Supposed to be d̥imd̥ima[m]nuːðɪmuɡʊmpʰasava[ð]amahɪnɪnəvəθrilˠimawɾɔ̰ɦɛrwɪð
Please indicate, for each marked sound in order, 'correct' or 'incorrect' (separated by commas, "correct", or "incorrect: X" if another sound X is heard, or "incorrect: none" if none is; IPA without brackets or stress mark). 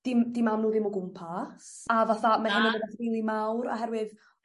correct, incorrect: θ